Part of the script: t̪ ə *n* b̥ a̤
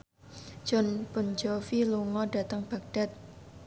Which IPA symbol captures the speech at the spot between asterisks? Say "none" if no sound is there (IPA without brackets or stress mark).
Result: ŋ